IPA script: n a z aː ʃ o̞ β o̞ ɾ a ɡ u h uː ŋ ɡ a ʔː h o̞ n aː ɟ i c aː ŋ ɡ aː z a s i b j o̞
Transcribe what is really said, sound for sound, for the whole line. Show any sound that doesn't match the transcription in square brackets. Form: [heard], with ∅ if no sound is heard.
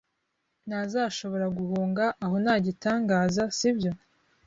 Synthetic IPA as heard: n a z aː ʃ o̞ β o̞ ɾ a ɡ u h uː ŋ ɡ a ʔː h o̞ n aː ɟ i [t] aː ŋ ɡ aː z a s i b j o̞